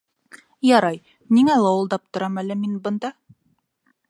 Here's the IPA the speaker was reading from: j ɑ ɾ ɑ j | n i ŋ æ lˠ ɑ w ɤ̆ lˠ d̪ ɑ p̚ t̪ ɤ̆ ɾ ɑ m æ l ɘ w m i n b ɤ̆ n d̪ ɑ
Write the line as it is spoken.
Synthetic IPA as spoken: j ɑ ɾ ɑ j | n i ŋ æ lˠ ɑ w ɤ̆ lˠ d̪ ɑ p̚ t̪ ŏ ɾ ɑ m æ l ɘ m i n b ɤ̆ n d̪ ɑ